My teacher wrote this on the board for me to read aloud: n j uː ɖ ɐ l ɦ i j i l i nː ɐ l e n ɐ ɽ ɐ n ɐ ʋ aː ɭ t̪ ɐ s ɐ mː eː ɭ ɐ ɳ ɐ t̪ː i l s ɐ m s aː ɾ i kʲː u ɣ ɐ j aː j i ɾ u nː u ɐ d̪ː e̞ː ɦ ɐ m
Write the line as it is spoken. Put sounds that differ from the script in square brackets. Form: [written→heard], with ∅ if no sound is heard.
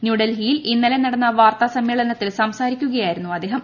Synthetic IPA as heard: n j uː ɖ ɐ l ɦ i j i l i nː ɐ l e n ɐ ɽ ɐ [n→nː] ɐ ʋ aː [ɭ→r] t̪ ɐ s ɐ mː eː ɭ ɐ [ɳ→n] ɐ t̪ː i l s ɐ m s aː ɾ i kʲː u ɣ ɐ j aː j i ɾ u nː u ɐ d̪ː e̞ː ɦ ɐ m